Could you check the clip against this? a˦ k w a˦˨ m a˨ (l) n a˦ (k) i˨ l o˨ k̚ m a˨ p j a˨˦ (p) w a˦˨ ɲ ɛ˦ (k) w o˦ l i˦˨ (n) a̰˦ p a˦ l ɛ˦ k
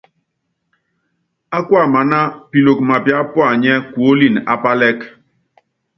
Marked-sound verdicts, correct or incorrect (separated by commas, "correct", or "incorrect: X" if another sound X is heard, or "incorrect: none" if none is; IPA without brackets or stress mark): incorrect: none, incorrect: p, correct, correct, correct